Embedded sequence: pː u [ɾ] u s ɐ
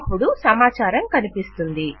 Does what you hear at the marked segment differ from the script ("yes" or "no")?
yes